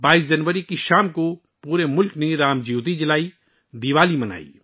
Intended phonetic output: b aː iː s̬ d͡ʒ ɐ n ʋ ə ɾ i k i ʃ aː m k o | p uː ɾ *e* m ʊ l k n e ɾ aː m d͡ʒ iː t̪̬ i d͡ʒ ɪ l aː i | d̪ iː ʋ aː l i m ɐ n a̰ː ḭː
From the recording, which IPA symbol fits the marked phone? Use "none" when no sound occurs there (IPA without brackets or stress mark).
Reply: e